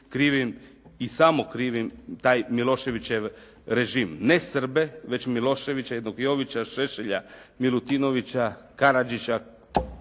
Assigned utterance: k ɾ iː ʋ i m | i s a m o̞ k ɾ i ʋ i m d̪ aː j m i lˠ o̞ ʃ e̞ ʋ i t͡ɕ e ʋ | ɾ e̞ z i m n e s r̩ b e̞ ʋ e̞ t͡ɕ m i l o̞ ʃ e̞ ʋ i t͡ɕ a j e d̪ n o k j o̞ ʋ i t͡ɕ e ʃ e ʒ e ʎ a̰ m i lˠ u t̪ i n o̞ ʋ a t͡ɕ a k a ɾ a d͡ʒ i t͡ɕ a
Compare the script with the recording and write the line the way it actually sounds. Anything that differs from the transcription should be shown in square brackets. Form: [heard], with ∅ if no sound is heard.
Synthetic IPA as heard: k ɾ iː ʋ i m | i s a m o̞ k ɾ i ʋ i m [t̪] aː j m i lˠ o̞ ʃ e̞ ʋ i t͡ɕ e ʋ | ɾ e̞ [ʒ] i m n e s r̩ b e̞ ʋ e̞ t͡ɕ m i l o̞ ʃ e̞ ʋ i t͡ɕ a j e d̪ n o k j o̞ ʋ i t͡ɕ [a] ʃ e [ʃ] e ʎ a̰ m i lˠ u t̪ i n o̞ ʋ [i] t͡ɕ a k a ɾ a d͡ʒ i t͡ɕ a

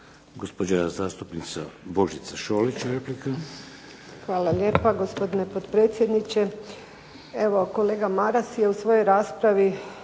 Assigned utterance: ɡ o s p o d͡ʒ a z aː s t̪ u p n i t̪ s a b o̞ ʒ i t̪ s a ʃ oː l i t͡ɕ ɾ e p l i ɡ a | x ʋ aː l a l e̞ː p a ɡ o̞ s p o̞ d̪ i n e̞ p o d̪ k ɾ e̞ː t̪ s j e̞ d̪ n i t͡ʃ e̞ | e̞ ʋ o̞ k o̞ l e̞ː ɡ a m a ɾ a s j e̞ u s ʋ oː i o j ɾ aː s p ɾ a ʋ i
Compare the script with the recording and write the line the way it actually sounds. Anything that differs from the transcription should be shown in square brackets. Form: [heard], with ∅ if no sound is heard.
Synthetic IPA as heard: ɡ o s p o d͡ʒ a z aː s t̪ u p n i t̪ s a b o̞ ʒ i t̪ s a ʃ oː l i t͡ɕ ɾ e p l i [k] a | x ʋ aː l a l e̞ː p a ɡ o̞ s p o̞ d̪ i n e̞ p o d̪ [p] ɾ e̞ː t̪ s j e̞ d̪ n i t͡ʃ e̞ | e̞ ʋ o̞ k o̞ l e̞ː ɡ a m a ɾ a s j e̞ u s ʋ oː [j] o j ɾ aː s p ɾ a ʋ i

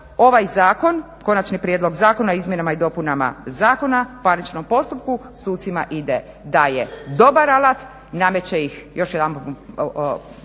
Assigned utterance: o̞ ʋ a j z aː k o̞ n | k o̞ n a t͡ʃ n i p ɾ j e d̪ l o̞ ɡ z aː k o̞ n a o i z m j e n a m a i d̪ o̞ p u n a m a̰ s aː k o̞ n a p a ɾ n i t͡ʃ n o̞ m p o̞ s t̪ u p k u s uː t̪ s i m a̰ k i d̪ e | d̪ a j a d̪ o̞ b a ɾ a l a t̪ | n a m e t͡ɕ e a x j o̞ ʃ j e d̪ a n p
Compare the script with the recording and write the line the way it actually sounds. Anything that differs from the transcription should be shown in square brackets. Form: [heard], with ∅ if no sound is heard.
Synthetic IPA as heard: o̞ ʋ a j z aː k o̞ n | k o̞ n a t͡ʃ n i p ɾ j e d̪ l o̞ ɡ z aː k o̞ n a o i z m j e n a m a i d̪ o̞ p u n a m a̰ [z] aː k o̞ n a p a ɾ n i t͡ʃ n o̞ m p o̞ s t̪ u p k u s uː t̪ s i m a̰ [ʔ] i d̪ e | d̪ a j [e] d̪ o̞ b a ɾ a l a t̪ | n a m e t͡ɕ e [i] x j o̞ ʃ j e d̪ a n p

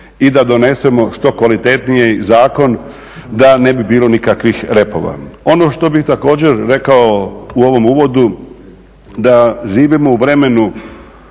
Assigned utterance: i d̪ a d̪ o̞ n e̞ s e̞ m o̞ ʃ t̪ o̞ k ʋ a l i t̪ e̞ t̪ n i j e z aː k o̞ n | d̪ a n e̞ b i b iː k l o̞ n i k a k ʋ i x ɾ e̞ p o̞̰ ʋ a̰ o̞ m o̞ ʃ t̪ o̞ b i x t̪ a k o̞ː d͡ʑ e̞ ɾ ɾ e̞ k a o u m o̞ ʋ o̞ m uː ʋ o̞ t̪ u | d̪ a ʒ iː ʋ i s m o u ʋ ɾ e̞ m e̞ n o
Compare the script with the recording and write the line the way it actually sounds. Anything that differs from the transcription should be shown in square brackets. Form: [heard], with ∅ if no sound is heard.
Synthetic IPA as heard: i d̪ a d̪ o̞ n e̞ s e̞ m o̞ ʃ t̪ o̞ k ʋ a l i t̪ e̞ t̪ n i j e z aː k o̞ n | d̪ a n e̞ b i b iː [∅] l o̞ n i k a k ʋ i x ɾ e̞ p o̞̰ ʋ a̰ o̞ [n] o̞ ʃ t̪ o̞ b i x t̪ a k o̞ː d͡ʑ e̞ ɾ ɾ e̞ k a o u [∅] o̞ ʋ o̞ m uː ʋ o̞ [d̪] u | d̪ a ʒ iː ʋ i [∅] m o u ʋ ɾ e̞ m e̞ n [u]

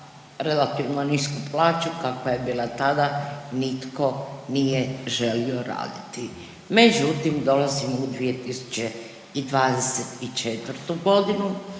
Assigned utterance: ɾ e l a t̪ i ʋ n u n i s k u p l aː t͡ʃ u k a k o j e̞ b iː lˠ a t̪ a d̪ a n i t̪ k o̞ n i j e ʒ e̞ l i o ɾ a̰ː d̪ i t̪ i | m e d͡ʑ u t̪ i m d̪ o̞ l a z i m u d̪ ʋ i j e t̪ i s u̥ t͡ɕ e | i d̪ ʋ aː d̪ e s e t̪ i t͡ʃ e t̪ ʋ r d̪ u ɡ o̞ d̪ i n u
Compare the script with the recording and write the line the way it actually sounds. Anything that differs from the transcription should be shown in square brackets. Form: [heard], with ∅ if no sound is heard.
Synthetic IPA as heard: ɾ e l a t̪ i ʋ n [o] n i s k u p l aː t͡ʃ u k a k o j e̞ b iː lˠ a t̪ a d̪ a n i t̪ k o̞ n i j e ʒ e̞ l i o ɾ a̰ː d̪ i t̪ i | m e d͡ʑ u t̪ i m d̪ o̞ l a z i m u d̪ ʋ i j e t̪ i s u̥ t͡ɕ e | i d̪ ʋ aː d̪ e s e t̪ i t͡ʃ e t̪ ʋ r [t̪] u ɡ o̞ d̪ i n u

